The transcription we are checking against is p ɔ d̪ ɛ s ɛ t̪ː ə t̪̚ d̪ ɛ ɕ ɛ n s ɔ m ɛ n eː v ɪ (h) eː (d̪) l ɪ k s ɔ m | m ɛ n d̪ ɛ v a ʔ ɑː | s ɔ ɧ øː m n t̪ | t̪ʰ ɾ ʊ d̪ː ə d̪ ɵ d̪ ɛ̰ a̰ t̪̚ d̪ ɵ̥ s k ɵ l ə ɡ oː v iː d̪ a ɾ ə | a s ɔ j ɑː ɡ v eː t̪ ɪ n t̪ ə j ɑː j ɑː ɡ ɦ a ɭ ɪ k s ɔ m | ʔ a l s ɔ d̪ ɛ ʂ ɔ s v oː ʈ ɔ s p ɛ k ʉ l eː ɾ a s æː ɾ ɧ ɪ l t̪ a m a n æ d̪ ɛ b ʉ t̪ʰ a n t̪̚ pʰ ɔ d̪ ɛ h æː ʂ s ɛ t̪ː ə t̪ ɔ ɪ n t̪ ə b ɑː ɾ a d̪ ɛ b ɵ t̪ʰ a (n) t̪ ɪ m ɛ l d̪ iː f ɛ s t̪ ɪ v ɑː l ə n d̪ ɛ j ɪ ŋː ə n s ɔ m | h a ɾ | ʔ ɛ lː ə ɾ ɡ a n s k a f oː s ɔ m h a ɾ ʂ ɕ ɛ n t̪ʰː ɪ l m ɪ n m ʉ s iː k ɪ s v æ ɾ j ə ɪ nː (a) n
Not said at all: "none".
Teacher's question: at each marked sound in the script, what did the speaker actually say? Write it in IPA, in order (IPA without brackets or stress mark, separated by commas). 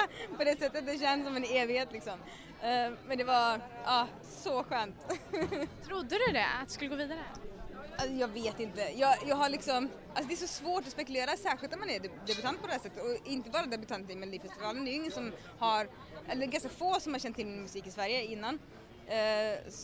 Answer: h, t̪, n, a